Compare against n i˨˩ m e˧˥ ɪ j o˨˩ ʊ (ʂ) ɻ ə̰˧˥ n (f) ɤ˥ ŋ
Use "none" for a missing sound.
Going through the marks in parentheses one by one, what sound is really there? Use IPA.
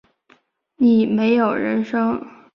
none, ʂ

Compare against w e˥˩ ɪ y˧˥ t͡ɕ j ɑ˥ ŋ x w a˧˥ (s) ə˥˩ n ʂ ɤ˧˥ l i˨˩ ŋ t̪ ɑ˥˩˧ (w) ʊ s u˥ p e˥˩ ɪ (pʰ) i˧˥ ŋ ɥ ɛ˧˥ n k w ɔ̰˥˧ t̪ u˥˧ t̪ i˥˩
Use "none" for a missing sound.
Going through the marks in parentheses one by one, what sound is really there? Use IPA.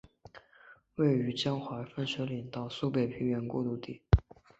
f, none, pʰ

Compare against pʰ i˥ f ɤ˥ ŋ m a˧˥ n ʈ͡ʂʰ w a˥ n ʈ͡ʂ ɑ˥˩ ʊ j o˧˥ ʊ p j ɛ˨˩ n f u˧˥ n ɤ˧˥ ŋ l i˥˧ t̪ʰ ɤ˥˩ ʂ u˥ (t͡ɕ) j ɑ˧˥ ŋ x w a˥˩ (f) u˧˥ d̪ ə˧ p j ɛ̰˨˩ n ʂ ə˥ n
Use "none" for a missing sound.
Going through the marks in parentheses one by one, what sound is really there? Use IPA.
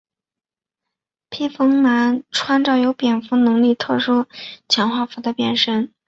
t͡ɕʰ, f

